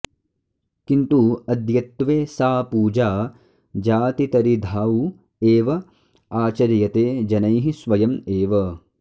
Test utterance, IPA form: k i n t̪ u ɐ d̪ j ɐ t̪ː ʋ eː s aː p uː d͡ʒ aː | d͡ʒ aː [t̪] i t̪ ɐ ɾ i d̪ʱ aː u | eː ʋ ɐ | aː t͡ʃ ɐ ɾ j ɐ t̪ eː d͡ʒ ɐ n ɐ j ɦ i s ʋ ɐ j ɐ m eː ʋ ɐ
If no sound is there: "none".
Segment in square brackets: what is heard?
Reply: t̪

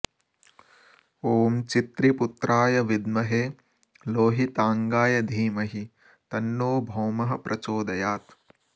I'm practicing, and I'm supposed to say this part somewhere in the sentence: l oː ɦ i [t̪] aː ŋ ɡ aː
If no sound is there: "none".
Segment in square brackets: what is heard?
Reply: t̪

